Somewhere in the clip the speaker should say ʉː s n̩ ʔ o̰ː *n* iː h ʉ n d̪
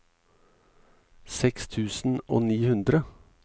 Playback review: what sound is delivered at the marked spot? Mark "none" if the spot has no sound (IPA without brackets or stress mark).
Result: n